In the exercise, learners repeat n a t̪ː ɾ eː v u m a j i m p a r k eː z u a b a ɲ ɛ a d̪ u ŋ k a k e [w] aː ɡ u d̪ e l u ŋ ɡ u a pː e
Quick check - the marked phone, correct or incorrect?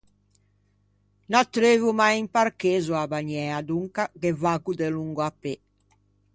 incorrect